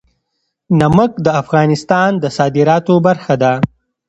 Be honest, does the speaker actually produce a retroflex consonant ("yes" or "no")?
no